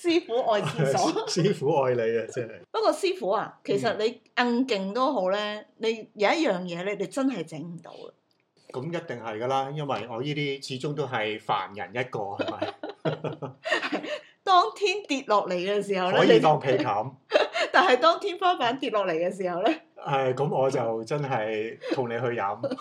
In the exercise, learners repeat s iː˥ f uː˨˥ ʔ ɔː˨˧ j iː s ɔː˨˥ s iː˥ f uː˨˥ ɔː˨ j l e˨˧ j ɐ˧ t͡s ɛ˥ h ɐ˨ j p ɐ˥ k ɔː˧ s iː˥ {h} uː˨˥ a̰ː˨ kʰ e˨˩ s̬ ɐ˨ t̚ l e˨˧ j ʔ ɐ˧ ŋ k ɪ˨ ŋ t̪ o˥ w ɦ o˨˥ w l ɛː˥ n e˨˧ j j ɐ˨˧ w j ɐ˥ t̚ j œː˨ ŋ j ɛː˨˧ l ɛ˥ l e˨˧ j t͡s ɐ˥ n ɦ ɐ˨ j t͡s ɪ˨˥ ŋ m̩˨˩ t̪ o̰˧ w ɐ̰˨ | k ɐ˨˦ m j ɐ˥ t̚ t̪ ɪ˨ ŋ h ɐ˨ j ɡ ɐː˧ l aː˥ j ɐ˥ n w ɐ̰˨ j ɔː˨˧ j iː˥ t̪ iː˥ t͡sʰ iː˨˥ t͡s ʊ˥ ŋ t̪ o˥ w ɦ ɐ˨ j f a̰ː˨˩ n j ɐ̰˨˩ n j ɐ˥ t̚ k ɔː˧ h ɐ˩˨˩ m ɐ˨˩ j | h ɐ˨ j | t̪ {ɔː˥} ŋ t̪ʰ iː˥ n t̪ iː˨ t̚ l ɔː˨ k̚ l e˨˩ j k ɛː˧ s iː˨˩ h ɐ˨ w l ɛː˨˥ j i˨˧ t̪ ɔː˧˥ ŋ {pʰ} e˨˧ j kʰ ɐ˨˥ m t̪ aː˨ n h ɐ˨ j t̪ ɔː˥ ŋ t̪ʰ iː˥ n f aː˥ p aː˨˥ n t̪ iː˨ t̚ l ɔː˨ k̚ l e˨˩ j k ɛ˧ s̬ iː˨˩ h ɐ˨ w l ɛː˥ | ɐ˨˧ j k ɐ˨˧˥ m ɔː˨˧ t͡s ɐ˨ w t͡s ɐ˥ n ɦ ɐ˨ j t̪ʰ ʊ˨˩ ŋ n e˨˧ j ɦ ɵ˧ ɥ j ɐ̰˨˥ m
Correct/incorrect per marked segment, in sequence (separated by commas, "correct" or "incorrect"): incorrect, correct, correct